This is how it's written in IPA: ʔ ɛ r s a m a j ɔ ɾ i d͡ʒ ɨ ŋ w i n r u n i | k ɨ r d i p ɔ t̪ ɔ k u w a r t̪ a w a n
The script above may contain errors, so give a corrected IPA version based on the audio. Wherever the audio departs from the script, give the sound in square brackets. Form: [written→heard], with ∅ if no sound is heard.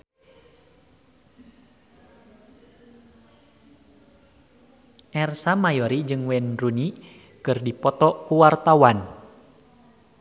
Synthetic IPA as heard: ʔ ɛ r s a m a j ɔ ɾ i d͡ʒ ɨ ŋ w [i→ɛ] n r u n i | k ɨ r d i p ɔ t̪ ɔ k u w a r t̪ a w a n